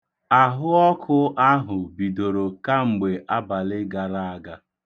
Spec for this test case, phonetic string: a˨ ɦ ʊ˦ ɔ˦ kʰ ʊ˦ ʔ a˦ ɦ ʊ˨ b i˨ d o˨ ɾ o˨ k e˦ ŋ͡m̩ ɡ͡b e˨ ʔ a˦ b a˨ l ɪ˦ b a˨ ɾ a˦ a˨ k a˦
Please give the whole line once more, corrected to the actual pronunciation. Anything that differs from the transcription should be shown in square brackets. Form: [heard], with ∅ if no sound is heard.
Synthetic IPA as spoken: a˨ ɦ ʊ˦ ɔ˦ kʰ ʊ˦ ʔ a˦ ɦ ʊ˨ b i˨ d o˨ ɾ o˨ k [a˦] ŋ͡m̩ ɡ͡b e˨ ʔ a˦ b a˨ l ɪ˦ [ɡ] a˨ ɾ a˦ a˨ [ɡ] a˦